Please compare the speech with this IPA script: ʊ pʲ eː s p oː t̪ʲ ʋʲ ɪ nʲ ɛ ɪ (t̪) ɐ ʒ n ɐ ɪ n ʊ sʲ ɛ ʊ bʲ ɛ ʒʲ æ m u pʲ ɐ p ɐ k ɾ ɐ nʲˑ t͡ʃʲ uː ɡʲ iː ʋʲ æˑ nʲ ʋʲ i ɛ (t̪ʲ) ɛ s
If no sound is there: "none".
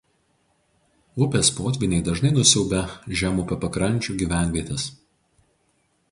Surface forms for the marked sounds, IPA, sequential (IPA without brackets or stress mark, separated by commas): d̪, t̪ʲ